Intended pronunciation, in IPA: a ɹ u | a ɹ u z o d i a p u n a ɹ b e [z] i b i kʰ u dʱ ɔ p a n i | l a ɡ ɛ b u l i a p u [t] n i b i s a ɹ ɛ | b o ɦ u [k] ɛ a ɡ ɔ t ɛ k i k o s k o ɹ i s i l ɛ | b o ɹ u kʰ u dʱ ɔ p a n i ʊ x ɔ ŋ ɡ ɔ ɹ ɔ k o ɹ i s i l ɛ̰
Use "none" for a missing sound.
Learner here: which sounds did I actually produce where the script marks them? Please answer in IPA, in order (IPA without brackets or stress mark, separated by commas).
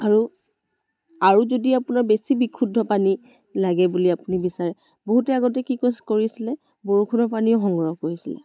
s, none, t